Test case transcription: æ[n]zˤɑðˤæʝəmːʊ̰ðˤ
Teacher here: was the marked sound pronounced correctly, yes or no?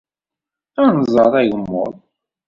yes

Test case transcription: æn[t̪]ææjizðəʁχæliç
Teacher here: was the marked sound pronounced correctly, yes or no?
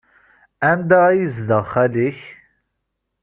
no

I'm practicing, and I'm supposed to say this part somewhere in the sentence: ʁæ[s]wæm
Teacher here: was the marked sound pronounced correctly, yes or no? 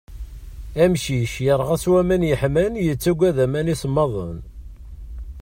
yes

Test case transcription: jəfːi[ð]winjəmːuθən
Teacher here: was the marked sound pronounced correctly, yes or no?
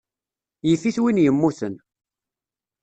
no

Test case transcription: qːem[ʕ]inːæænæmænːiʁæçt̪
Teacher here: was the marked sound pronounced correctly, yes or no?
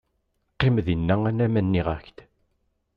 no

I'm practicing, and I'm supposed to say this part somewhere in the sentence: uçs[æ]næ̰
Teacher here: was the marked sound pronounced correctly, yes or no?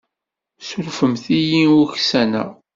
yes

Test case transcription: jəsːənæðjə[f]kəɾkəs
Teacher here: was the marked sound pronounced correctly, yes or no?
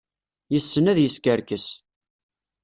no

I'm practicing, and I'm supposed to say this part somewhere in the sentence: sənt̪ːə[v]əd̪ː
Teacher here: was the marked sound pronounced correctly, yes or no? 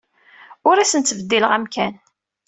yes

